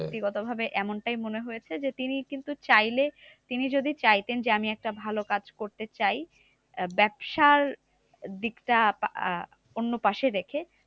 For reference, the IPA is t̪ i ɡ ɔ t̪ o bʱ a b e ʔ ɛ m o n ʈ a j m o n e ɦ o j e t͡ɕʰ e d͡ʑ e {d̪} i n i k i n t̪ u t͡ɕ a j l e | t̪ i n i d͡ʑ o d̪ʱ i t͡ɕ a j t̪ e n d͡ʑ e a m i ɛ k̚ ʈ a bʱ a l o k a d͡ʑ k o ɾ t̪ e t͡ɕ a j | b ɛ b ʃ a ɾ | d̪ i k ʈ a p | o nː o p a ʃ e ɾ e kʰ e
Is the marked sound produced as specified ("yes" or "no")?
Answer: no